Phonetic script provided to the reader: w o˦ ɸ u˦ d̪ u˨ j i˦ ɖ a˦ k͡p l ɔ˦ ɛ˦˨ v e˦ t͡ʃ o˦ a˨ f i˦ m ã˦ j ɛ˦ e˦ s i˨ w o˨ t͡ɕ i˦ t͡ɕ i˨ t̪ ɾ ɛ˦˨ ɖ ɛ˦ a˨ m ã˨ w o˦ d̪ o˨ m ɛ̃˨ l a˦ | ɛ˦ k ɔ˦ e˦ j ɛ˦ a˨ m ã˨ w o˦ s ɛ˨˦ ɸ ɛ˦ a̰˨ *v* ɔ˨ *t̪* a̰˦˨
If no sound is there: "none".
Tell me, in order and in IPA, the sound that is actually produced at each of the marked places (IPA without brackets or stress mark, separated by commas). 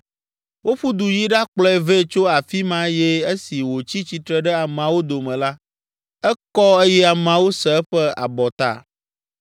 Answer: b, t̪